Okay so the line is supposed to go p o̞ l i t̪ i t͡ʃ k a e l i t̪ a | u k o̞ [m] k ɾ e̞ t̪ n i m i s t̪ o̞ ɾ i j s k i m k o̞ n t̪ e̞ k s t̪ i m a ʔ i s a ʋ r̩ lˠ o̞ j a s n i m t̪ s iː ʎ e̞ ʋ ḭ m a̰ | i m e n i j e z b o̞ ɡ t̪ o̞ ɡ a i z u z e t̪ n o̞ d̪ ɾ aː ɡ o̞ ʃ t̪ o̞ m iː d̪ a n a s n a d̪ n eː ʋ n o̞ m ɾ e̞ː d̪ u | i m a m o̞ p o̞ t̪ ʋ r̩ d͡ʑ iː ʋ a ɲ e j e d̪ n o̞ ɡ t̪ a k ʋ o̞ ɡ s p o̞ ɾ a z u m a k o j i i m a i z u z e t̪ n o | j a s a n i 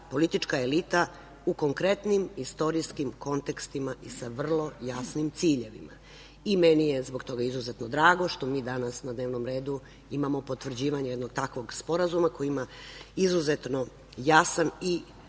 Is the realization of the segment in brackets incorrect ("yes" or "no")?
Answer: yes